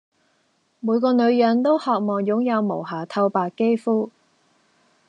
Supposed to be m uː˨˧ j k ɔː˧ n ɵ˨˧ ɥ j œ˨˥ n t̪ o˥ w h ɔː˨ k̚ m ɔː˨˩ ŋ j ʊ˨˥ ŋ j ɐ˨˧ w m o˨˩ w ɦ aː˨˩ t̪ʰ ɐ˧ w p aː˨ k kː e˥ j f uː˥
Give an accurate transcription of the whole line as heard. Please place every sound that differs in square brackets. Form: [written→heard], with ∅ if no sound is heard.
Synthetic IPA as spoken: m uː˨˧ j k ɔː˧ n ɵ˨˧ ɥ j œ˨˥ n t̪ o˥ w h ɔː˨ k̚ m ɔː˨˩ ŋ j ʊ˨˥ ŋ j ɐ˨˧ w m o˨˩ w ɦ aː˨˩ t̪ʰ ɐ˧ w p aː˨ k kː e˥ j f uː˥